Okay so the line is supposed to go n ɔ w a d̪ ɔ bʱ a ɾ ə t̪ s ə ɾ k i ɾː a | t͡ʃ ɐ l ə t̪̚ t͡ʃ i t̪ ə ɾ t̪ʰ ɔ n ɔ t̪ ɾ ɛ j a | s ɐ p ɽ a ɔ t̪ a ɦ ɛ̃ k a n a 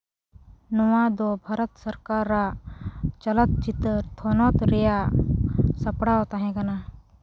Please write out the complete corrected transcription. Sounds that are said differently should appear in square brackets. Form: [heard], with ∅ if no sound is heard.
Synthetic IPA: n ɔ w a d̪ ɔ bʱ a ɾ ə t̪ s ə ɾ k [a] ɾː a | t͡ʃ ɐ l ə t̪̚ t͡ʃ i t̪ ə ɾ t̪ʰ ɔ n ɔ t̪ ɾ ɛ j a | s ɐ p ɽ a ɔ t̪ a ɦ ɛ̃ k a n a